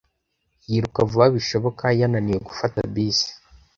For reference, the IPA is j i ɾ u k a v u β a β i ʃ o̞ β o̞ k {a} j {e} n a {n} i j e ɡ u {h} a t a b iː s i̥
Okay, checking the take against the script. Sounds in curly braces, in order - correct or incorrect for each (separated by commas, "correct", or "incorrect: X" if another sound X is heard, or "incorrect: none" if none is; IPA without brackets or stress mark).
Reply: correct, incorrect: a, correct, incorrect: f